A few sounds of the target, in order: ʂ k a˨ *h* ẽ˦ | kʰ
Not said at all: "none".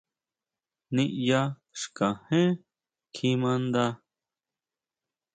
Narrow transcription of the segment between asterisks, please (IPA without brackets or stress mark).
h